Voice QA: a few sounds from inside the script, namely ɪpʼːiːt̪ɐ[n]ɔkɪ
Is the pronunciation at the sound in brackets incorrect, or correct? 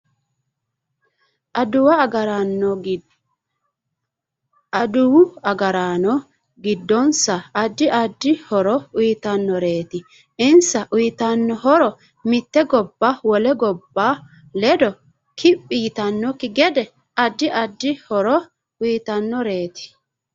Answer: incorrect